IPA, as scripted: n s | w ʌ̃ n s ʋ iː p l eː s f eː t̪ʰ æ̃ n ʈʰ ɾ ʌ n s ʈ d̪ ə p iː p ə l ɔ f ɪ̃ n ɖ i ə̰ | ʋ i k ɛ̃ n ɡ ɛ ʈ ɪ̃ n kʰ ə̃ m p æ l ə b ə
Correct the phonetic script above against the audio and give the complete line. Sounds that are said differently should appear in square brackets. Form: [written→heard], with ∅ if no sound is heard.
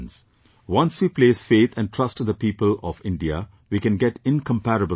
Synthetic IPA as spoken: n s | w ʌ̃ n s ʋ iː p l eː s f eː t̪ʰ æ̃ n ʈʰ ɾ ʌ [n→∅] s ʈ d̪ ə p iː p ə l ɔ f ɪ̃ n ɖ i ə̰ | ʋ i k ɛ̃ n ɡ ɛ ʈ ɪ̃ n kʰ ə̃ m p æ [l→ɾ] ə b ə